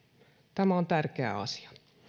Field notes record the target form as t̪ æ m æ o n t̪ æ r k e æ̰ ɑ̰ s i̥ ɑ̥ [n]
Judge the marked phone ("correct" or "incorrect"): incorrect